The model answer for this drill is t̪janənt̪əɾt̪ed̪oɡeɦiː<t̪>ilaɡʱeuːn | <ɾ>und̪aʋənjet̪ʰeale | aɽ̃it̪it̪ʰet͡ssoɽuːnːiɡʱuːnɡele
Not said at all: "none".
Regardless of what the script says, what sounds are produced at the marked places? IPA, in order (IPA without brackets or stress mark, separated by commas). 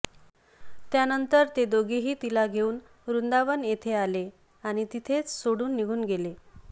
t̪, ɾ